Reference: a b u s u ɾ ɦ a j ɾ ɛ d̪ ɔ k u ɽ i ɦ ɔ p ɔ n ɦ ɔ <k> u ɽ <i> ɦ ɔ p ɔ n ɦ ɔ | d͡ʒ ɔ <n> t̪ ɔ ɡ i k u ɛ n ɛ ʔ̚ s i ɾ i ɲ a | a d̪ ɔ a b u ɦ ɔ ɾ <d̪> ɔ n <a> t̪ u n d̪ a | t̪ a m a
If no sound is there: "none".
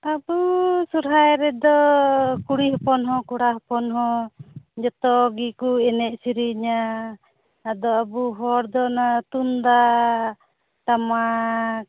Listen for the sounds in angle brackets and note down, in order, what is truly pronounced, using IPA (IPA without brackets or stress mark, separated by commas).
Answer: k, a, none, d̪, a